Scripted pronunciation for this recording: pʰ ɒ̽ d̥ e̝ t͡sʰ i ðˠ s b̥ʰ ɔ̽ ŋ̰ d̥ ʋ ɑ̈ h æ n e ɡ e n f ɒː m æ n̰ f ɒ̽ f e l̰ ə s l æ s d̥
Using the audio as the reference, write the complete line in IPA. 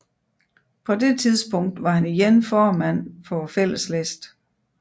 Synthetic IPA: pʰ ɒ̽ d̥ e̝ t͡sʰ i ðˠ s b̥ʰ ɔ̽ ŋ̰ d̥ ʋ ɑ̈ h æ n i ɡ e n f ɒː m æ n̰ f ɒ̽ f e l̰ ə s l e s d̥

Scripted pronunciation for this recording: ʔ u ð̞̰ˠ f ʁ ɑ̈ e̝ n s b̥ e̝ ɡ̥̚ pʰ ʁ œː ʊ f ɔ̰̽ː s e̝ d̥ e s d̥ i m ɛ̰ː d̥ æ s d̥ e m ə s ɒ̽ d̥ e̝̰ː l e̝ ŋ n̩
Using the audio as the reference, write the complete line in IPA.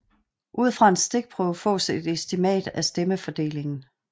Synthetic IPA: ʔ u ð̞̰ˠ f ʁ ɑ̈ e̝ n s d̥ e̝ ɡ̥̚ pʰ ʁ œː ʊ f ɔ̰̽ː s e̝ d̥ e s d̥ i m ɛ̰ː d̥ æ s d̥ e m ə f ɒ̽ d̥ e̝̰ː l e̝ ŋ n̩

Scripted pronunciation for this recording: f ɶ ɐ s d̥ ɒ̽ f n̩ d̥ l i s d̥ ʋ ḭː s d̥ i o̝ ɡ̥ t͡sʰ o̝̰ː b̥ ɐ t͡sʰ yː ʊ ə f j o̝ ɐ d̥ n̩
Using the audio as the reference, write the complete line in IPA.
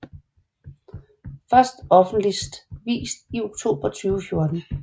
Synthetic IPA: f ɶ ɐ s d̥ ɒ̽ f n̩ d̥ l i s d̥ ʋ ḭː s d̥ i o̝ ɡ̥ t͡sʰ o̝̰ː b̥ ɐ t͡sʰ yː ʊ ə f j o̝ ɐ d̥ n̩

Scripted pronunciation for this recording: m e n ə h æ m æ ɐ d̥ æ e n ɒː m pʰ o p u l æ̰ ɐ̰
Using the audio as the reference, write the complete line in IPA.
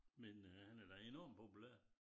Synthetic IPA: m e n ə h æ n æ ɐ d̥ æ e n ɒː m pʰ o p u l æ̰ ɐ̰

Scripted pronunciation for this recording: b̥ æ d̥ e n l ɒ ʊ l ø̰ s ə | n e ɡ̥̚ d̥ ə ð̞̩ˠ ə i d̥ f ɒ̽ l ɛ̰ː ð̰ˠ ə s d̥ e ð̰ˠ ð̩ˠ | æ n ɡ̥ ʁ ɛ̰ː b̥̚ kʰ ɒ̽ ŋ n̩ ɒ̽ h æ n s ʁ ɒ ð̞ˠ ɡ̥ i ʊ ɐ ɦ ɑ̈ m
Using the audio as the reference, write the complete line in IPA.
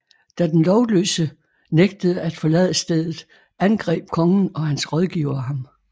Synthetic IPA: d̥ æ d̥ e n l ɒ ʊ l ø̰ s ə | n e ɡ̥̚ d̥ ə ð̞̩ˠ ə æ d̥ f ɒ̽ l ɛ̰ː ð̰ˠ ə s d̥ e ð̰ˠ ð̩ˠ | æ n ɡ̥ ʁ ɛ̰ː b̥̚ kʰ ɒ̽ ŋ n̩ ɒ̽ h æ n s ʁ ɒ ð̞ˠ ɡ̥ i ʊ ɐ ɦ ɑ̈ m

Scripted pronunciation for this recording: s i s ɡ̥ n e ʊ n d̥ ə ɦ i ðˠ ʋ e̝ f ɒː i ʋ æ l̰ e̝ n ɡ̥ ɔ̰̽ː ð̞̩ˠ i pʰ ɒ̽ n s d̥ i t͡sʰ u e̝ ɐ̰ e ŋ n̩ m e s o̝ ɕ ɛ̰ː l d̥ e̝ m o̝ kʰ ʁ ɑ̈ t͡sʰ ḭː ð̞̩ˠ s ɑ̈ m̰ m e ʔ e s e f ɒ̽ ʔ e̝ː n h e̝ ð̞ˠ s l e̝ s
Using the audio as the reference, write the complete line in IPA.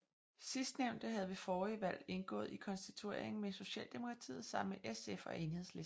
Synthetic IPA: s i s d̥ n e ʊ n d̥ ə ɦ æ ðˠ ʋ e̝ f ɒː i ʋ æ l̰ e̝ n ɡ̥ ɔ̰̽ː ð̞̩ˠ i kʰ ɒ̽ n s d̥ i t͡sʰ u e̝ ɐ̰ e ŋ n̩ m e s o̝ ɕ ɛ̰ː l d̥ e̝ m o̝ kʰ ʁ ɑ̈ t͡sʰ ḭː ð̞̩ˠ s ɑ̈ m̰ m e ʔ e s e f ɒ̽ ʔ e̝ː n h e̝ ð̞ˠ s l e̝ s

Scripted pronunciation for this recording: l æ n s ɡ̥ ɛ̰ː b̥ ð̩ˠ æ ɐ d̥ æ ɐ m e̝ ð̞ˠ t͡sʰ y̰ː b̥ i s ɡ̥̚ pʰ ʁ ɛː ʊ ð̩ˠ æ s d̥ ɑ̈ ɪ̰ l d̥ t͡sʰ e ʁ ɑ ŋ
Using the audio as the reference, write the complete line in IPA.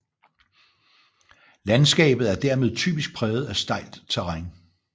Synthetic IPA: l æ n s ɡ̥ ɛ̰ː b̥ ð̩ˠ æ ɐ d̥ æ ɐ m e̝ ð̞ˠ t͡sʰ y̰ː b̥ i s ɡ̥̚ pʰ ʁ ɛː ʊ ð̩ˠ æ s d̥ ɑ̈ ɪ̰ l d̥ t͡sʰ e ʁ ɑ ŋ

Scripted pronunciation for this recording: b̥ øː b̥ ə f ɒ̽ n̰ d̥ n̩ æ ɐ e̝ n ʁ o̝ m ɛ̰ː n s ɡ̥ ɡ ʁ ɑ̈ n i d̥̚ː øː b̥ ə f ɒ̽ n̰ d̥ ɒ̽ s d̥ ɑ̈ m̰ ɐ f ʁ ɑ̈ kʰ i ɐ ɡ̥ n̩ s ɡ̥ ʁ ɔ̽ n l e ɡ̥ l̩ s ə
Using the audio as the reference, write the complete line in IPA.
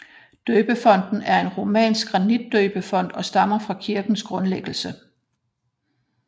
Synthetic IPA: d̥ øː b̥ ə f ɒ̽ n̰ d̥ n̩ æ ɐ e̝ n ʁ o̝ m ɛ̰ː n s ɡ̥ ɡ ʁ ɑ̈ n i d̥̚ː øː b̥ ə f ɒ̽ n̰ d̥ ɒ̽ s d̥ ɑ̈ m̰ ɐ f ʁ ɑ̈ kʰ i ɐ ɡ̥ n̩ s ɡ̥ ʁ ɔ̽ n l e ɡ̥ l̩ s ə

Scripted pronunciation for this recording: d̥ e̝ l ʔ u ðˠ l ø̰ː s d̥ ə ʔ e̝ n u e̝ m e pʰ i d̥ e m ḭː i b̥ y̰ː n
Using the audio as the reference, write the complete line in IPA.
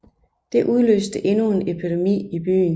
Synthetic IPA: d̥ e̝ ʔ u ðˠ l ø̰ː s d̥ ə ʔ e̝ n u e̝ n e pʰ i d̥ e m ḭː i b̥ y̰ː n

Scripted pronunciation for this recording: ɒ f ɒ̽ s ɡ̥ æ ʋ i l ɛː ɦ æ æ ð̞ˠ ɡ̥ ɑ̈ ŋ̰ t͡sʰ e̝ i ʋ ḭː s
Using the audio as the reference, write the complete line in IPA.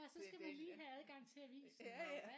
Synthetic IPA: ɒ s ɒ̽ s ɡ̥ æ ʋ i l iː ɦ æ æ ð̞ˠ ɡ̥ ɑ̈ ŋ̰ t͡sʰ e̝ æ ʋ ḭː s

